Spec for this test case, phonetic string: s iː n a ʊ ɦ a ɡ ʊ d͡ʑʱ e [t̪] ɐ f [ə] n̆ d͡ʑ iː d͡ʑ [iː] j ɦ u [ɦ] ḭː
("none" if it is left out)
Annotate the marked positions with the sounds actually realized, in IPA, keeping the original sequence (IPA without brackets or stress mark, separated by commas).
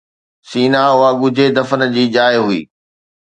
d̪, ə, aː, none